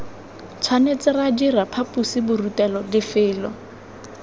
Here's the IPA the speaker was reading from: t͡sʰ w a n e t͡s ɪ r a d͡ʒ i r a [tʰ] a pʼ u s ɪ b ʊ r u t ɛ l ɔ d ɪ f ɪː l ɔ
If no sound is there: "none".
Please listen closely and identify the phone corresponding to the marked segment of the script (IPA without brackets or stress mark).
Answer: pʰ